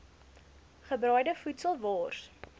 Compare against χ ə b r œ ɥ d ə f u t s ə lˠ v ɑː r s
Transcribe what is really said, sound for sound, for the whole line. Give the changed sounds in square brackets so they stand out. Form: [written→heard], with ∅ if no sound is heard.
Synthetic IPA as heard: χ ə b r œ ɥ d ə f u t s ə lˠ v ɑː r s